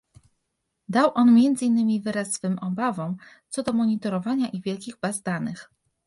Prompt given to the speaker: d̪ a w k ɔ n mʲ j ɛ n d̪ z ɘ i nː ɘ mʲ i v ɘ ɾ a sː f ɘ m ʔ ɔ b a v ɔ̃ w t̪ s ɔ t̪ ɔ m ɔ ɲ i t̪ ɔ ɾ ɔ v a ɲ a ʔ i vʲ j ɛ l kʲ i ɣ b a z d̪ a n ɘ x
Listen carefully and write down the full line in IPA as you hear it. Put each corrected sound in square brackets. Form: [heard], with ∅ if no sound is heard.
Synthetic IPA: d̪ a w [ʔ] ɔ n mʲ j ɛ n d̪ z ɘ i nː ɘ mʲ i v ɘ ɾ a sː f ɘ m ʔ ɔ b a v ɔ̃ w t̪ s ɔ [d̪] ɔ m ɔ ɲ i t̪ ɔ ɾ ɔ v a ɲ a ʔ i vʲ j ɛ l kʲ i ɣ b a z d̪ a n ɘ x

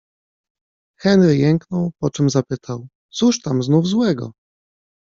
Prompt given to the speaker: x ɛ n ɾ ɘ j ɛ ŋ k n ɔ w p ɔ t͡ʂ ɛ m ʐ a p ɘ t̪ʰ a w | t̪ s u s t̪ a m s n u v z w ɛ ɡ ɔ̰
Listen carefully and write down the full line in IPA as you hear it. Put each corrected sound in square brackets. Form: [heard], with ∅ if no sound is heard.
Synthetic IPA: x ɛ n ɾ ɘ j ɛ ŋ k n ɔ w p ɔ t͡ʂ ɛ m [z] a p ɘ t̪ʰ a w | t̪ s u [ʂ] t̪ a m [z] n u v z w ɛ ɡ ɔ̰

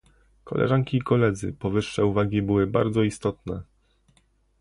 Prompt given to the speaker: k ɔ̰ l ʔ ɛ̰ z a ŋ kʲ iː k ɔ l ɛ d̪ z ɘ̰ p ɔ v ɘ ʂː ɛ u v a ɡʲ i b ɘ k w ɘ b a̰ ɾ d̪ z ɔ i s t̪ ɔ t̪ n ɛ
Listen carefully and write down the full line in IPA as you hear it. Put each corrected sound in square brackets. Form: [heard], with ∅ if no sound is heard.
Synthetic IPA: k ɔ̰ l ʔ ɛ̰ [ʐ] a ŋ kʲ iː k ɔ l ɛ d̪ z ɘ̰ p ɔ v ɘ ʂː ɛ u v a ɡʲ i b ɘ [∅] w ɘ b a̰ ɾ d̪ z ɔ i s t̪ ɔ t̪ n ɛ

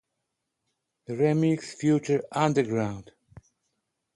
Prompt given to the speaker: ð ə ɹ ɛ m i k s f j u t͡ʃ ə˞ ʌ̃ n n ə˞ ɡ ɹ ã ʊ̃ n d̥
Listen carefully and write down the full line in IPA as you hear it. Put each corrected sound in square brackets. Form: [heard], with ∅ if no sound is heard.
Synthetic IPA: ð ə ɹ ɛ m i k s f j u t͡ʃ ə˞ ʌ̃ n [d] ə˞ ɡ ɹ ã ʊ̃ n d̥

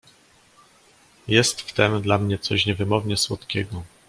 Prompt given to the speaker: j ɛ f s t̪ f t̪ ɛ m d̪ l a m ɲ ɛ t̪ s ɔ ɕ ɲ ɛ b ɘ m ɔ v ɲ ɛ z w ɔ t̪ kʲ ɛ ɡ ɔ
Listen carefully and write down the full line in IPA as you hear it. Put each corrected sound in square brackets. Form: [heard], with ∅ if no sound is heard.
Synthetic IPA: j ɛ [∅] s t̪ f t̪ ɛ m d̪ l a m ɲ ɛ t̪ s ɔ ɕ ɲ ɛ [v] ɘ m ɔ v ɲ ɛ [s] w ɔ t̪ kʲ ɛ ɡ ɔ

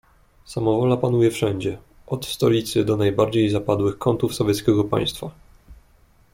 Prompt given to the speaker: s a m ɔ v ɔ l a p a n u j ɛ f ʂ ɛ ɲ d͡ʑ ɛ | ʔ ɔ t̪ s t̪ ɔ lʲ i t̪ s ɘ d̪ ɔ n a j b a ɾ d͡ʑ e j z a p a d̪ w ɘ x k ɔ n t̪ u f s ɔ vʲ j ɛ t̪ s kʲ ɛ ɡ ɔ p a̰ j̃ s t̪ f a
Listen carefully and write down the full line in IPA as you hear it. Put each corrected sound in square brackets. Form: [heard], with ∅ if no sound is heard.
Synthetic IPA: s a m ɔ v ɔ l a p a n u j ɛ f ʂ ɛ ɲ d͡ʑ ɛ | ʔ ɔ t̪ s t̪ ɔ lʲ i t̪ s ɘ d̪ ɔ n a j b a ɾ d͡ʑ e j z a p a d̪ w ɘ x k ɔ n t̪ u f s ɔ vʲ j ɛ t̪ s kʲ ɛ ɡ ɔ p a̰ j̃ s t̪ f a

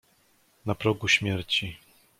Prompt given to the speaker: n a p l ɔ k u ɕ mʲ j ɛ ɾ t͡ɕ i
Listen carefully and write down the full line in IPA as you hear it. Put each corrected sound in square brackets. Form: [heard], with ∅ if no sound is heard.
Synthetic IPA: n a p [ɾ] ɔ [ɡ] u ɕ mʲ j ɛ ɾ t͡ɕ i

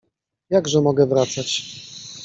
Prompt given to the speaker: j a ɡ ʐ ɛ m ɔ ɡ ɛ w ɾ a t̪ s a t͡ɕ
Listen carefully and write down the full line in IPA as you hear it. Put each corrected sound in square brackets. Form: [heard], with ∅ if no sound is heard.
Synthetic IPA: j a ɡ ʐ ɛ m ɔ ɡ ɛ [v] ɾ a t̪ s a t͡ɕ

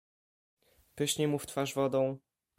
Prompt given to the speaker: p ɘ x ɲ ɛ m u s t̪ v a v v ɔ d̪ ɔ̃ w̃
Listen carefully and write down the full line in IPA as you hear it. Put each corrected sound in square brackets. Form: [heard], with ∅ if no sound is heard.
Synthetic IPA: p ɘ [ɕ] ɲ ɛ m u [f] t̪ [f] a [ʐ] v ɔ d̪ ɔ̃ w̃

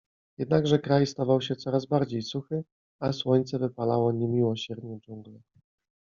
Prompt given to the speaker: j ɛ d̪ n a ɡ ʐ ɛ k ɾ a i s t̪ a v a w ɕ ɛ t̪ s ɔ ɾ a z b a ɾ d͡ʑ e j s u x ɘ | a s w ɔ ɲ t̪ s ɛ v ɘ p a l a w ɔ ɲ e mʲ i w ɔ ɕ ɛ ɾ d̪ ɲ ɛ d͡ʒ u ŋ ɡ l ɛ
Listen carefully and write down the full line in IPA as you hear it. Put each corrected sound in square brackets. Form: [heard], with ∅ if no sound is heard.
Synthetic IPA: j ɛ d̪ n a ɡ ʐ ɛ k ɾ a [j] s t̪ a v a w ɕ ɛ t̪ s ɔ ɾ a z b a ɾ d͡ʑ e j s u x ɘ | a s w ɔ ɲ t̪ s ɛ v ɘ p a l a w ɔ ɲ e mʲ i w ɔ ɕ ɛ ɾ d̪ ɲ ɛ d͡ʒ u ŋ ɡ l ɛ

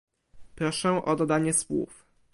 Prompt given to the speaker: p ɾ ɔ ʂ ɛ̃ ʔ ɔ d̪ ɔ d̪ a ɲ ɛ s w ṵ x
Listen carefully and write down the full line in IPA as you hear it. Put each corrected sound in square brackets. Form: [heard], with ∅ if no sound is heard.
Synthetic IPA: p ɾ ɔ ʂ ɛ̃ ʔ ɔ d̪ ɔ d̪ a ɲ ɛ s w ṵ [f]

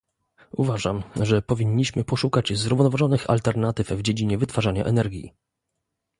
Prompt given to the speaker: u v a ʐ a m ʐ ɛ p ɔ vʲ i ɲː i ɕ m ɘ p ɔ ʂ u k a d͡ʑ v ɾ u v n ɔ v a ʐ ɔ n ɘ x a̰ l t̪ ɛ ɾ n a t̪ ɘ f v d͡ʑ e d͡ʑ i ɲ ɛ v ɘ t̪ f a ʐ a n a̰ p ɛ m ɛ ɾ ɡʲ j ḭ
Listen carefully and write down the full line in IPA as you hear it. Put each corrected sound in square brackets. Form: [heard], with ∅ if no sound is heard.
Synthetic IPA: u v a ʐ a m ʐ ɛ p ɔ vʲ i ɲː i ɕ m ɘ p ɔ ʂ u k a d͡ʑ [z] ɾ u v n ɔ v a ʐ ɔ n ɘ x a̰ l t̪ ɛ ɾ n a t̪ ɘ f v d͡ʑ e d͡ʑ i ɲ ɛ v ɘ t̪ f a ʐ a [ɲ] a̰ [ʔ] ɛ [n] ɛ ɾ ɡʲ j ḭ

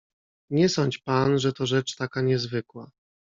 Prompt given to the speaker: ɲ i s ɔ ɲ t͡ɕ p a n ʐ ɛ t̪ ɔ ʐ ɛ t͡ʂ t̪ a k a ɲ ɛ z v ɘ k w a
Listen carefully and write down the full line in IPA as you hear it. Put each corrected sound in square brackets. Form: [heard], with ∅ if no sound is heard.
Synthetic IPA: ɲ [ɛ] s ɔ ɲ t͡ɕ p a n ʐ ɛ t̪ ɔ ʐ ɛ t͡ʂ t̪ a k a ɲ ɛ z v ɘ k w a

